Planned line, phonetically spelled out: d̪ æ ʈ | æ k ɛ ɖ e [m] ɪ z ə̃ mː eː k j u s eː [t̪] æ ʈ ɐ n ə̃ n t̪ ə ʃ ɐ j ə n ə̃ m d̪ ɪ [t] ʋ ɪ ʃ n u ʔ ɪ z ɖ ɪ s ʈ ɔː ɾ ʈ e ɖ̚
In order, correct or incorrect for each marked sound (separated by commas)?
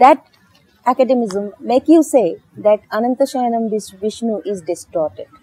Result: correct, incorrect, incorrect